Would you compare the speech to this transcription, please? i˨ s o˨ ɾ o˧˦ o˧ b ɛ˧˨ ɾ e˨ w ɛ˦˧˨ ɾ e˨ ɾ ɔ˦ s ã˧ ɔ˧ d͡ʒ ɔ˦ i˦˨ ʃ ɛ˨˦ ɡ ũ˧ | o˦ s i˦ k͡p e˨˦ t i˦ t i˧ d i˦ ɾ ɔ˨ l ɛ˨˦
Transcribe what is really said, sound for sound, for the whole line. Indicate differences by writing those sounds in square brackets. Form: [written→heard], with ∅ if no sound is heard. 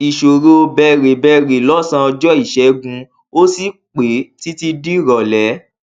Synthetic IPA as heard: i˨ [s→ʃ] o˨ ɾ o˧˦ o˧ b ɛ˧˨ ɾ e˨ [w→b] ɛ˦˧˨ ɾ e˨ [ɾ→l] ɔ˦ s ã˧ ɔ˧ d͡ʒ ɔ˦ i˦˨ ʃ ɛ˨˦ ɡ ũ˧ | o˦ s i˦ k͡p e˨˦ t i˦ t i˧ d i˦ ɾ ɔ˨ l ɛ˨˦

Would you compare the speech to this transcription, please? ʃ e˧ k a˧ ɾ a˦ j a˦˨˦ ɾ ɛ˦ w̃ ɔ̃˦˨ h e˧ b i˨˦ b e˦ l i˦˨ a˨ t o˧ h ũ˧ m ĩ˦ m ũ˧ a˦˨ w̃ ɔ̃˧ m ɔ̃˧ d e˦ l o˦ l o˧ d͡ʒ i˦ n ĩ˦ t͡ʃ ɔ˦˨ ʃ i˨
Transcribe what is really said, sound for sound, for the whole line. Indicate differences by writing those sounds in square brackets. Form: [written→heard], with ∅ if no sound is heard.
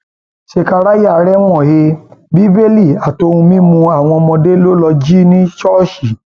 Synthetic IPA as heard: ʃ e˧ k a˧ ɾ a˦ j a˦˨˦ ɾ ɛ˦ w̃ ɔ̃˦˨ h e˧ b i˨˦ b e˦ l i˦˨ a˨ t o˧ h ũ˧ m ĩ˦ m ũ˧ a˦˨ w̃ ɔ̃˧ m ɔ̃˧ d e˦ l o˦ l [o˧→ɔ˧] d͡ʒ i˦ n ĩ˦ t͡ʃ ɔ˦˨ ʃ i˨

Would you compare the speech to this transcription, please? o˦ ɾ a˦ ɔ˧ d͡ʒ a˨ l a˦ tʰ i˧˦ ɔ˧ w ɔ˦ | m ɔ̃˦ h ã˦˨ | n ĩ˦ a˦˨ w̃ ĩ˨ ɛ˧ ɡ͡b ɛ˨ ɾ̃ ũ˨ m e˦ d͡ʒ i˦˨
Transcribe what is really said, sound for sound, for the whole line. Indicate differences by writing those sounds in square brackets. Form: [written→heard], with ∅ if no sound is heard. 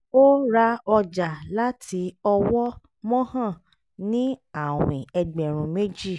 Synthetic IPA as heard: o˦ ɾ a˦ ɔ˧ d͡ʒ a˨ l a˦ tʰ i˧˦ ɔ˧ w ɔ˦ | m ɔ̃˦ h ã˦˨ | n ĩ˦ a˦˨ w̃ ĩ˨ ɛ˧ ɡ͡b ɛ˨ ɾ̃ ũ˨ m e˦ d͡ʒ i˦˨

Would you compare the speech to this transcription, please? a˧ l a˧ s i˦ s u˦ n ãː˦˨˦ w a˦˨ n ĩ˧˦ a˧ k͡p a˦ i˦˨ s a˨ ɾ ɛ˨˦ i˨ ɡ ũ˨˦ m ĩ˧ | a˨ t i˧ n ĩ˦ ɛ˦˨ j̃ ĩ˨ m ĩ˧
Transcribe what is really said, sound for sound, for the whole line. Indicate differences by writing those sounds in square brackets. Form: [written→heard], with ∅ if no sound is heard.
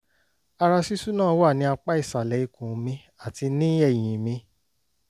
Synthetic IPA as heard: a˧ [l→ɾ] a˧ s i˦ s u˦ n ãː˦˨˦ w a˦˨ n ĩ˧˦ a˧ k͡p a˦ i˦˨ s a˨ [ɾ→l] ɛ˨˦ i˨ [ɡ→k] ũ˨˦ m ĩ˧ | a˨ t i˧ n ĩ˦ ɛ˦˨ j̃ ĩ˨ m ĩ˧

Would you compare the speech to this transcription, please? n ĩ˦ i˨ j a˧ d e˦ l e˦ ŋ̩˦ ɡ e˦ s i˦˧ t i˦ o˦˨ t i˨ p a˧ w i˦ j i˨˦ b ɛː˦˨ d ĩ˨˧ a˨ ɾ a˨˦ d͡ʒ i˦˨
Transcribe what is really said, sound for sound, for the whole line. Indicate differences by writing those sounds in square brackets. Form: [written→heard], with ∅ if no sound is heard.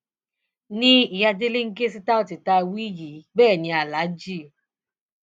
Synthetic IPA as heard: n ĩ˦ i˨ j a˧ d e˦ l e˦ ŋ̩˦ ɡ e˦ s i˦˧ t [i˦→a˦] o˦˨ t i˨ [p→t] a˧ w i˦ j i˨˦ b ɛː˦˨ [d→n] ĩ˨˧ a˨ [ɾ→l] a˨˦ d͡ʒ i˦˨

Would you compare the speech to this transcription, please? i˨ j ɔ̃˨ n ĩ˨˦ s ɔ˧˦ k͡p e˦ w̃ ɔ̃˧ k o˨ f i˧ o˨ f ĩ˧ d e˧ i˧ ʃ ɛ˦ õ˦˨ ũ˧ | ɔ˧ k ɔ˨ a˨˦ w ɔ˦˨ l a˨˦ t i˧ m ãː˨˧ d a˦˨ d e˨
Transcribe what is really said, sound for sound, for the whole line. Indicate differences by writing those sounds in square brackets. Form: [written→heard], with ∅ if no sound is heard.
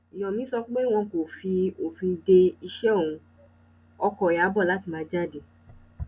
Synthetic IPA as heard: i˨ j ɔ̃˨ [n→m] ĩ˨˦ s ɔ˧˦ k͡p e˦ w̃ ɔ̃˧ k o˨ f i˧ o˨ f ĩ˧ d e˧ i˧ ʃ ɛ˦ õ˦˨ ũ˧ | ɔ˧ k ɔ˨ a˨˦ [w→b] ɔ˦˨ l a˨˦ t i˧ m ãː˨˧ [d→d͡ʒ] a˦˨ d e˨

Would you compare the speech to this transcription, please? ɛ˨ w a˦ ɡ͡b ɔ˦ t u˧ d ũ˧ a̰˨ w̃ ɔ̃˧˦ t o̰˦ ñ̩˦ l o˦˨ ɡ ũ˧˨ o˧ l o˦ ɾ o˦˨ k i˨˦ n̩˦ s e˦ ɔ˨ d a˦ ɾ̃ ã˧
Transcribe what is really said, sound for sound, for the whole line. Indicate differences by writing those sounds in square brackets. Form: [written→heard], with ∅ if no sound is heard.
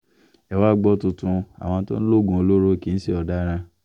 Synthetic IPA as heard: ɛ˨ w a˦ ɡ͡b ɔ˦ t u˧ [d→t] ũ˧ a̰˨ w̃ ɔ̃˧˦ t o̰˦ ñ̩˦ l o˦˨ ɡ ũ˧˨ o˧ l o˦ ɾ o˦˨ k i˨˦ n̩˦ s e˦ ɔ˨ d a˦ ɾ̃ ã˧

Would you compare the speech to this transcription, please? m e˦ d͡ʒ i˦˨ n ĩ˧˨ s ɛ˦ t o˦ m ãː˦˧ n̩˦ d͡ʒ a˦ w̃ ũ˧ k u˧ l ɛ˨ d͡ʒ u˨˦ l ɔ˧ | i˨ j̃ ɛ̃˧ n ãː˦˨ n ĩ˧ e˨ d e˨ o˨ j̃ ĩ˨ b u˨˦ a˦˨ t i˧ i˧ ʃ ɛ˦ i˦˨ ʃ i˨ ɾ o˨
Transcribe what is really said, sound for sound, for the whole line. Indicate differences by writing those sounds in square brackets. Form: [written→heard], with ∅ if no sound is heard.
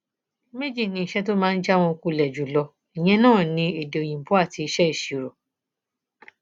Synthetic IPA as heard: m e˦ d͡ʒ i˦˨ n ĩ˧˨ [s→ʃ] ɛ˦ t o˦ m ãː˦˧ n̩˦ d͡ʒ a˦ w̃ [ũ˧→ɔ̃˧] k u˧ l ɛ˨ d͡ʒ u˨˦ l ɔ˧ | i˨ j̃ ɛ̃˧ n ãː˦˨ n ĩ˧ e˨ d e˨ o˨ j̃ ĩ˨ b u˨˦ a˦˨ t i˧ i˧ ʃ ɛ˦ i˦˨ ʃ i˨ ɾ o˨

